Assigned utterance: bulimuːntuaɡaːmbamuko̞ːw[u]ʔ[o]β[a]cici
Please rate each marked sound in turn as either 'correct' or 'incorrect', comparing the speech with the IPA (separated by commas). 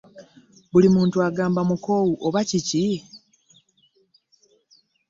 correct, correct, correct